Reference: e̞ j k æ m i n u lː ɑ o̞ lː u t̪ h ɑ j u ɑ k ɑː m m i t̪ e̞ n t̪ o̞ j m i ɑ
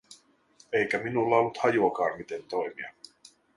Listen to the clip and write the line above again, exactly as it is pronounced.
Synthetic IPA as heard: e̞ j k æ m i n u lː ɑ o̞ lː u t̪ h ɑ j u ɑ k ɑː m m i t̪ e̞ n t̪ o̞ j m i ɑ